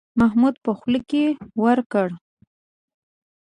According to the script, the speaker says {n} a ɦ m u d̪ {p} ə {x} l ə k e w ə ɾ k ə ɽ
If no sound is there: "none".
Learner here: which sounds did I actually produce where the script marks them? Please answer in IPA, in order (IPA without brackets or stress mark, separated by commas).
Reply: m, p, x